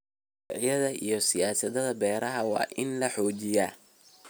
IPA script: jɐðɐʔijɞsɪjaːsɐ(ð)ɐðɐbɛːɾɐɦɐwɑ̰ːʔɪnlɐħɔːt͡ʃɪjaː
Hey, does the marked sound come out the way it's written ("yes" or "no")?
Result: yes